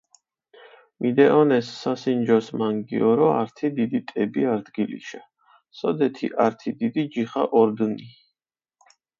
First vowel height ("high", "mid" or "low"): high